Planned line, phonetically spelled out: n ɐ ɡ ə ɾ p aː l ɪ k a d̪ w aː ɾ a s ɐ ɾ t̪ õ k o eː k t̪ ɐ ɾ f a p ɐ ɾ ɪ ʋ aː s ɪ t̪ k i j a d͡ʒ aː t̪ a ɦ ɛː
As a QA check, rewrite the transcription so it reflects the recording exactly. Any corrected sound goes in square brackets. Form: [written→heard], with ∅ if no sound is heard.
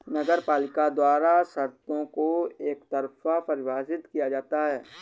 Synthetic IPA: n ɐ ɡ ə ɾ p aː l ɪ k a d̪ w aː ɾ a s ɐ ɾ t̪ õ k o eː k t̪ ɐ ɾ f a p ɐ ɾ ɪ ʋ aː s ɪ t̪ k i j a d͡ʒ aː t̪ a ɦ ɛː